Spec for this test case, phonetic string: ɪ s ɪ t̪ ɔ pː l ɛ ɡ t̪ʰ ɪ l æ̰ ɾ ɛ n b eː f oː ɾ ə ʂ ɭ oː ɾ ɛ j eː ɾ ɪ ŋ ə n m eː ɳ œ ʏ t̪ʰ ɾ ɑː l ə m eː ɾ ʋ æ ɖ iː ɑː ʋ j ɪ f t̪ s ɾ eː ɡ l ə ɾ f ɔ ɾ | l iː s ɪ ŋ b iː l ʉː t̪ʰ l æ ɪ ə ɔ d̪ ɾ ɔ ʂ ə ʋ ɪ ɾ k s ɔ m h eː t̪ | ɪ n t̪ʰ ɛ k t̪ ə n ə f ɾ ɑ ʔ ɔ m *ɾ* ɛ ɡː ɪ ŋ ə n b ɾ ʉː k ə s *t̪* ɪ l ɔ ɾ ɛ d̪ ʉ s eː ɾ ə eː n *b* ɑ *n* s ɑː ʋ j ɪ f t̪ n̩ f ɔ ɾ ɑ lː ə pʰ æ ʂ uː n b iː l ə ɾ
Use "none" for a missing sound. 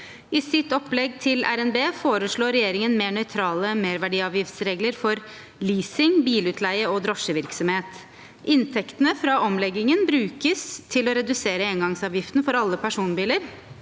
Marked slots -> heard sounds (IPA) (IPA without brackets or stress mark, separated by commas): l, t̪ʰ, ɡ, ŋ